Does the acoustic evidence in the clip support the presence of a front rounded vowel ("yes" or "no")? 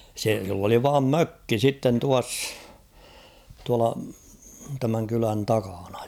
yes